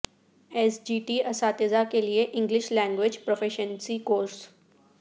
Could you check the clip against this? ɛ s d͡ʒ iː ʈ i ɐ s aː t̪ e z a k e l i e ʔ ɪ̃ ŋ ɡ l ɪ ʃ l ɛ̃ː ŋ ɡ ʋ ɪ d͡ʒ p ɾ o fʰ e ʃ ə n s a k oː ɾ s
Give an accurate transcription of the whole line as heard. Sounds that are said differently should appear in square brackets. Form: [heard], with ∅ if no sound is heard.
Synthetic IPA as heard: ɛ s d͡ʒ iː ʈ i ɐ s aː t̪ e z a k e l i e ʔ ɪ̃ ŋ ɡ l ɪ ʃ l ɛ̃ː ŋ ɡ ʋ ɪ d͡ʒ p ɾ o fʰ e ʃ ə n s [i] k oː ɾ s